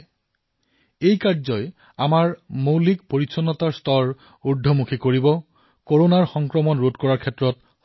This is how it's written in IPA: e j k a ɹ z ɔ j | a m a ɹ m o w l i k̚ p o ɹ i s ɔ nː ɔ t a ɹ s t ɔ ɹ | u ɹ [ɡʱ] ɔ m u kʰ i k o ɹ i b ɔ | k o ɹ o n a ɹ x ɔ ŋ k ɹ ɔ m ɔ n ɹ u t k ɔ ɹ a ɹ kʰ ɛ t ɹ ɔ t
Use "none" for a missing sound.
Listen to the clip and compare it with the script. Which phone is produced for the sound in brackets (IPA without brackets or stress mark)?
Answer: dʱ